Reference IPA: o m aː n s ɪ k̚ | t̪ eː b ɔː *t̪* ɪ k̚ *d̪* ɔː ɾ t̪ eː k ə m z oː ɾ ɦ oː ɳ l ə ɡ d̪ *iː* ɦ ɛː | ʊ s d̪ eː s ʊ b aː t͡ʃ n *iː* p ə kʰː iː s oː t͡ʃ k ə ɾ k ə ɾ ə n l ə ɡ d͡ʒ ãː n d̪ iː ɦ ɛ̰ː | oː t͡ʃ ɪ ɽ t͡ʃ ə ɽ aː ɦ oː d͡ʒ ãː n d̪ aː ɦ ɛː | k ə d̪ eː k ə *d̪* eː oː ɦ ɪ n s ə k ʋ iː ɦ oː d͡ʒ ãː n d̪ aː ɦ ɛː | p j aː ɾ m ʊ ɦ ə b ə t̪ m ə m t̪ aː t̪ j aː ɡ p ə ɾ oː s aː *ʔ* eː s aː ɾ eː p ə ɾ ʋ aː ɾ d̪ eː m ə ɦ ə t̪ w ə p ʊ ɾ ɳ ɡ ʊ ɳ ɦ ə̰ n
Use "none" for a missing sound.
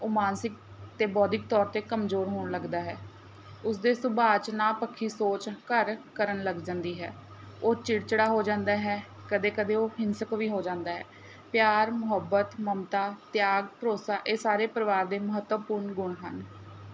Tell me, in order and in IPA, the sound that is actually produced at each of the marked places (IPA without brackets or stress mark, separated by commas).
d̪, t̪, aː, aː, d̪, ʔ